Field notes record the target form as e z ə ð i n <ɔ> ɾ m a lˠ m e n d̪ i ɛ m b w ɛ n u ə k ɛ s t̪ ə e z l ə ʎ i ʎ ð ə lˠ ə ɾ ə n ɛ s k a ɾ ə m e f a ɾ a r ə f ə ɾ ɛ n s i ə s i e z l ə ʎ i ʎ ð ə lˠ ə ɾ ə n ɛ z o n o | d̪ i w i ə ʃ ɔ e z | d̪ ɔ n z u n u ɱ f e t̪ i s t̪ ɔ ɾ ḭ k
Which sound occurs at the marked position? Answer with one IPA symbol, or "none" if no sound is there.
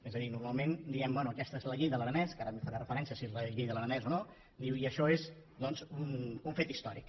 u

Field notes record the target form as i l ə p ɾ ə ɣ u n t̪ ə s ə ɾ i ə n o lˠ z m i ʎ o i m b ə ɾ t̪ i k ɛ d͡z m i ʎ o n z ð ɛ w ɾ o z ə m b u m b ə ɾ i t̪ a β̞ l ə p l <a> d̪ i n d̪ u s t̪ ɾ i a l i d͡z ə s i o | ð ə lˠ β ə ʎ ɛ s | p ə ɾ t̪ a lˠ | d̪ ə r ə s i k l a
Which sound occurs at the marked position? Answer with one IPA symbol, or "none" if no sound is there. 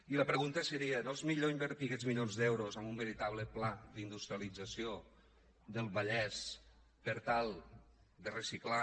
a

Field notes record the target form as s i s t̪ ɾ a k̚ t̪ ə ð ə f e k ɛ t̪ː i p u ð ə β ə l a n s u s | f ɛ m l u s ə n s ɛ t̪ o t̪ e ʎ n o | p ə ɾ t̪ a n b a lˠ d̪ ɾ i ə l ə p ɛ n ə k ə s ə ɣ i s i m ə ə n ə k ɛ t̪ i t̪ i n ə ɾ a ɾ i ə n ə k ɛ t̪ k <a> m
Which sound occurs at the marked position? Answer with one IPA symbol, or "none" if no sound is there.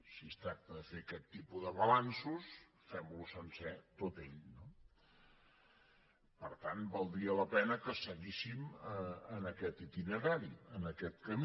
ə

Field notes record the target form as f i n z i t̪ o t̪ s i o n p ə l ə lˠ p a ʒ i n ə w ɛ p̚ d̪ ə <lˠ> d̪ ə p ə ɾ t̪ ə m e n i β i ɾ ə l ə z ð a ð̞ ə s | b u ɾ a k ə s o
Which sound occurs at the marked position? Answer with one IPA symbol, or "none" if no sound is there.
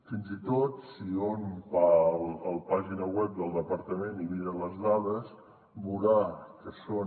lˠ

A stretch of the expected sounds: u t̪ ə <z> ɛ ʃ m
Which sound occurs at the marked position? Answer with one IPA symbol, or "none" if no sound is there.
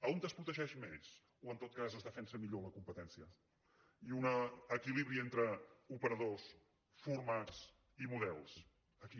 ʒ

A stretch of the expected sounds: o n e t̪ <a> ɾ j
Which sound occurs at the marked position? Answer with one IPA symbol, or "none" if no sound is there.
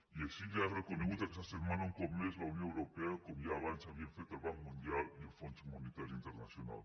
a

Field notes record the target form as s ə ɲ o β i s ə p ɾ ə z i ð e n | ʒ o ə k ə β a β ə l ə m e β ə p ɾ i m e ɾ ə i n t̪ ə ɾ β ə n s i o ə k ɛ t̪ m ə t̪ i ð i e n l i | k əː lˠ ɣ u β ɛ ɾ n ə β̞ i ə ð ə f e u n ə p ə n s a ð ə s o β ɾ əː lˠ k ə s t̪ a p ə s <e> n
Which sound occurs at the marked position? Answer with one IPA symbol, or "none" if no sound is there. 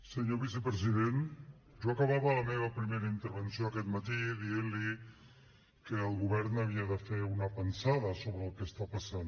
a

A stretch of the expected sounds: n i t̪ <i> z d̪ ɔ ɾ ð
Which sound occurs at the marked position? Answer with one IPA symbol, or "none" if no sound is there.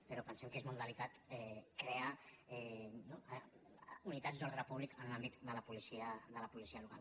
a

